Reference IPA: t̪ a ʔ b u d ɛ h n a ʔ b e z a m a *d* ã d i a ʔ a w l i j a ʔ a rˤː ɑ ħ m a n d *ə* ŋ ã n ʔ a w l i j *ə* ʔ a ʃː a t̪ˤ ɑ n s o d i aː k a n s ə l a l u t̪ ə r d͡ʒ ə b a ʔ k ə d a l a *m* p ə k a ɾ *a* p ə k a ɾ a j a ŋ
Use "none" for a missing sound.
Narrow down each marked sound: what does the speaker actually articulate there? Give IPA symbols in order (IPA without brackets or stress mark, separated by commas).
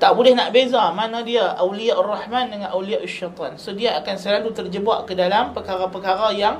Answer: n, ə, a, m, a